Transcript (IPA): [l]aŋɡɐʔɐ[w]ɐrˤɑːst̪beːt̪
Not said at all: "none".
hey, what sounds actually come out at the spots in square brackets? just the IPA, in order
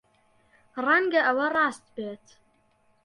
r, w

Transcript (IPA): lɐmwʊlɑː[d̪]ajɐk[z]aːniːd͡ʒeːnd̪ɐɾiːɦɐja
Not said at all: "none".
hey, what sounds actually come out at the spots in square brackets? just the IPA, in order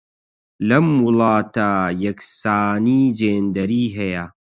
t̪, s

